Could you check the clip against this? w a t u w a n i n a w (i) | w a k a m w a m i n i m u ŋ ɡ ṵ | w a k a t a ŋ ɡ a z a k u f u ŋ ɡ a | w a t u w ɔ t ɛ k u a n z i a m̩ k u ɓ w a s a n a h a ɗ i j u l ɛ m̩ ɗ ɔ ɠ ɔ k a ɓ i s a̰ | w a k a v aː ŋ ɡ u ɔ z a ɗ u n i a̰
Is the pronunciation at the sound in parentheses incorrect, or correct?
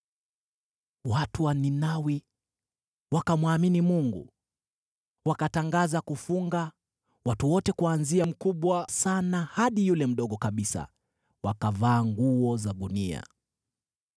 correct